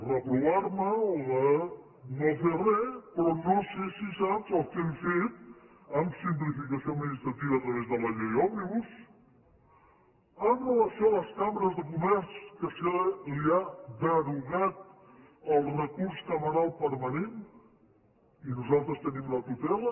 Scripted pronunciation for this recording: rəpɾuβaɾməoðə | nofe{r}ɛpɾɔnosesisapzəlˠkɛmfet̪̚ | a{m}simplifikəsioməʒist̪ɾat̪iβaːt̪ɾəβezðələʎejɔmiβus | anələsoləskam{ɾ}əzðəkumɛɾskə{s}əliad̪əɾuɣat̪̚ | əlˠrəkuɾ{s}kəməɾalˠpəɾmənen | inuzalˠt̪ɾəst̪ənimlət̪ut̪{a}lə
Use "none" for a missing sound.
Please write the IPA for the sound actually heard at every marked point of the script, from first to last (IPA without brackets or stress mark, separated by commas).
r, m, ɾ, s, s, ɛ